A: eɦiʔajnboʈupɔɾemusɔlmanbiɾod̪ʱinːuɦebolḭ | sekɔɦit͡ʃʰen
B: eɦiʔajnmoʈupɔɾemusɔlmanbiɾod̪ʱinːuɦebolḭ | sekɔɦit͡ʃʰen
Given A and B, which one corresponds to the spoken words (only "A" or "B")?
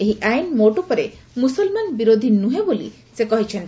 B